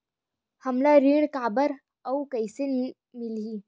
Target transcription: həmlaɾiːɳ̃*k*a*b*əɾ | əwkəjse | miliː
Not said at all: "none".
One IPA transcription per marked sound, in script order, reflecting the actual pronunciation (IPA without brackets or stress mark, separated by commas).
k, b